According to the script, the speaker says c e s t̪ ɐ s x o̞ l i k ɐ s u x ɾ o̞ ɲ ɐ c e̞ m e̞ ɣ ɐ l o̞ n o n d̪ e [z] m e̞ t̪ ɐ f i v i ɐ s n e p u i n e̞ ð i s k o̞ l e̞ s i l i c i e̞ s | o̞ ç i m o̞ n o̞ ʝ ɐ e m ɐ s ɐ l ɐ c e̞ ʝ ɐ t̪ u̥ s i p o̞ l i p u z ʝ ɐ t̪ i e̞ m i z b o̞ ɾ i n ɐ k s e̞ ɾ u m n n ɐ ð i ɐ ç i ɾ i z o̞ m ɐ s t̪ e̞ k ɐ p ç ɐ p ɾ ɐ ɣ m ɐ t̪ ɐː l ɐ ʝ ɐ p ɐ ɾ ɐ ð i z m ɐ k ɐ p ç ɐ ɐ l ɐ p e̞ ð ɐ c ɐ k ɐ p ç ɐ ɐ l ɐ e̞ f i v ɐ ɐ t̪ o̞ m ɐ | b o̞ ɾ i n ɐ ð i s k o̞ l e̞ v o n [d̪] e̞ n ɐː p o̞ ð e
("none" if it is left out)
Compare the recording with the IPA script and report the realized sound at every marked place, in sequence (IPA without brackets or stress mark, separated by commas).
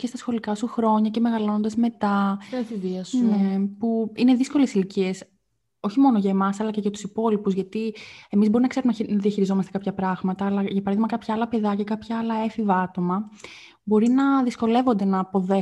z, d̪